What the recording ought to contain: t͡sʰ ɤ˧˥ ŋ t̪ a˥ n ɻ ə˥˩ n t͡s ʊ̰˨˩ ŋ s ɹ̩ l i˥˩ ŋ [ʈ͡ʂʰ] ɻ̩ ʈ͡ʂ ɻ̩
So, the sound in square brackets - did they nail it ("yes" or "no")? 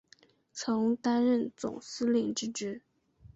no